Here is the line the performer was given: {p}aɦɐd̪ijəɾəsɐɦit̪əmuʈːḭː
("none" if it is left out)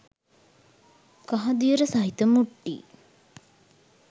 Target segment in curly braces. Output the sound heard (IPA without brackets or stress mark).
k